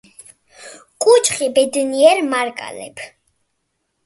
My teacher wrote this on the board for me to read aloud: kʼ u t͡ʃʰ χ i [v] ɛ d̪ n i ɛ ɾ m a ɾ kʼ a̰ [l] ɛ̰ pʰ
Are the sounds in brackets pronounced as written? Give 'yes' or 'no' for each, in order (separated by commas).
no, yes